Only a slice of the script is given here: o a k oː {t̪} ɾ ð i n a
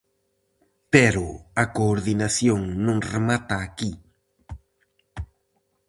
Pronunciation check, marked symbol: incorrect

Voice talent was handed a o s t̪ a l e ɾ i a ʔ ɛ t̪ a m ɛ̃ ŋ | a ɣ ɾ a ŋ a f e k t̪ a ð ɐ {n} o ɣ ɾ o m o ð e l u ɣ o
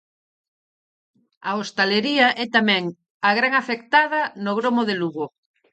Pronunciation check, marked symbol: correct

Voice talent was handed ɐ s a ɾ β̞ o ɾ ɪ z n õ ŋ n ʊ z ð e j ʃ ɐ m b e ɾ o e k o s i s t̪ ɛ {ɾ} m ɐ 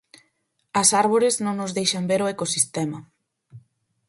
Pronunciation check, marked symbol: incorrect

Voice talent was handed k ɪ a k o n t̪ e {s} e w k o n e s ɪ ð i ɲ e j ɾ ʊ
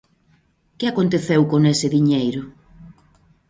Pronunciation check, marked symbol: incorrect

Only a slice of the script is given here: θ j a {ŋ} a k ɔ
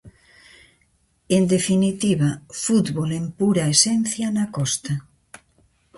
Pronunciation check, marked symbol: incorrect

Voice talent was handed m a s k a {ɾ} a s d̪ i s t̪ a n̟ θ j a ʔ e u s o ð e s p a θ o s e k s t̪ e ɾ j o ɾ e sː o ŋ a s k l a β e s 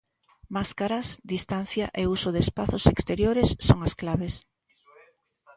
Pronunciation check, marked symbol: correct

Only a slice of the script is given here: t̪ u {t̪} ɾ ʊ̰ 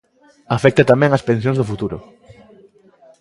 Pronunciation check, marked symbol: incorrect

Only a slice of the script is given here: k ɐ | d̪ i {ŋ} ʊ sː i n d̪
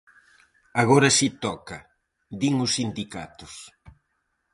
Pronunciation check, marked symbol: correct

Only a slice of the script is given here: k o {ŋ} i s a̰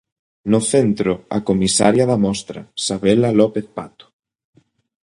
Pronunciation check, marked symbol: incorrect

